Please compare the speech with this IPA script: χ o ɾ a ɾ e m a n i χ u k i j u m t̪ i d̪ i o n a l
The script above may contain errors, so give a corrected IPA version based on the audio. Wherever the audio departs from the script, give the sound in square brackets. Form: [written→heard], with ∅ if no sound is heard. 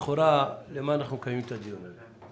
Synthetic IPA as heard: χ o ɾ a [ɾ→l] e m a n [i→a] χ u k [i→a] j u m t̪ [i→a] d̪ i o n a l